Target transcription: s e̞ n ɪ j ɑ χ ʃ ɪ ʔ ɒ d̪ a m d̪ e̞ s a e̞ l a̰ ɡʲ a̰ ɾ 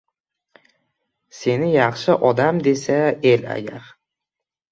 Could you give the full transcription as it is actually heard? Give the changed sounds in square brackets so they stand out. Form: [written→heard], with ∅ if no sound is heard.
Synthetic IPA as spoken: s e̞ n ɪ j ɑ χ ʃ ɪ ʔ ɒ d̪ a m d̪ e̞ s a e̞ l a̰ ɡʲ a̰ ɾ